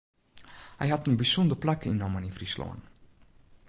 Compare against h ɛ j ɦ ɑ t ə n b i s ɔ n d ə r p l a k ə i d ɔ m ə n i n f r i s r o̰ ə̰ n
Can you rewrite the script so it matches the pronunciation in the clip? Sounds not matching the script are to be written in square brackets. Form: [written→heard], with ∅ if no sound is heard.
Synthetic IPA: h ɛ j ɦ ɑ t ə n b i s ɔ n d ə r p l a k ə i [d→n] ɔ m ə n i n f r i s [r→l] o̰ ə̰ n